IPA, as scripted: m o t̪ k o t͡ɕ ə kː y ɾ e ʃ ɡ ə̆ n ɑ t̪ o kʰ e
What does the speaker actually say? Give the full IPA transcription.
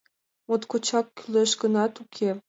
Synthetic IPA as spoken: m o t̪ k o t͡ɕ ɑ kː y l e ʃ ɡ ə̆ n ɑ t̪ u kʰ e